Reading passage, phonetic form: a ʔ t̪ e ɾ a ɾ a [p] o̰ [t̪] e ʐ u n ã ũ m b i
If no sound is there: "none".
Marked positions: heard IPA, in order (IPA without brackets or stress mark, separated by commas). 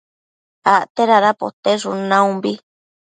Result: p, t̪